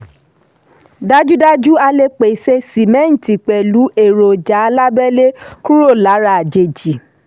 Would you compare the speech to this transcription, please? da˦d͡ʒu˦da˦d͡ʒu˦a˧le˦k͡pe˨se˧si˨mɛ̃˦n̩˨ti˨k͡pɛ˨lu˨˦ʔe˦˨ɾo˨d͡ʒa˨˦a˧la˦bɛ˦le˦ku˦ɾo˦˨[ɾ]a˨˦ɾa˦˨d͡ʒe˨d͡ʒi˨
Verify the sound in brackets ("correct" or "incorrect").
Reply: incorrect